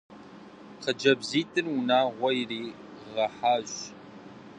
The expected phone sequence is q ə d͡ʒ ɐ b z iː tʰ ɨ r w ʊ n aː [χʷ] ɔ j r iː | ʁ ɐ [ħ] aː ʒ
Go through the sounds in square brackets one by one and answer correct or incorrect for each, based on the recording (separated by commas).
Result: incorrect, correct